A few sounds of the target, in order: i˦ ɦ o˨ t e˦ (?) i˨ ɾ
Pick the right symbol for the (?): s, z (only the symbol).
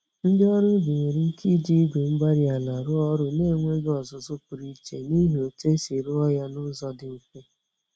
s